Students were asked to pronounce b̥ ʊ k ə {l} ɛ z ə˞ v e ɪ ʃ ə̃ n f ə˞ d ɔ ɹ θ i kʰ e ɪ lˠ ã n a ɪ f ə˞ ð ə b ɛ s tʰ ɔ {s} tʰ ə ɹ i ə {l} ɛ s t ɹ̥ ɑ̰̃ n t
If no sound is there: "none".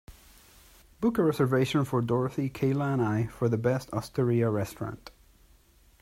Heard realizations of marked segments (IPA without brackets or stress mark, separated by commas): ɹ, s, ɹ